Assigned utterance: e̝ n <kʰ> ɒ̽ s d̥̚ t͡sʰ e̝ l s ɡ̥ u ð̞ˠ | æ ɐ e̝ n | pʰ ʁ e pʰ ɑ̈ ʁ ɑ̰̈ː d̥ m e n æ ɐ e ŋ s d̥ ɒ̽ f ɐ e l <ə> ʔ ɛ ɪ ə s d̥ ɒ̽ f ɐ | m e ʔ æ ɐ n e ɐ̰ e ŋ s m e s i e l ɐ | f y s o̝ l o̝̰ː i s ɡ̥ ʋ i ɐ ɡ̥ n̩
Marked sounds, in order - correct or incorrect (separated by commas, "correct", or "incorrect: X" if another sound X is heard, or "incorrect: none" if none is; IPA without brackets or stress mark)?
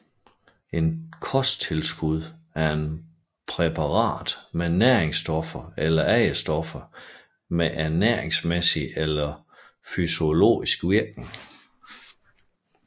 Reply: correct, incorrect: ɐ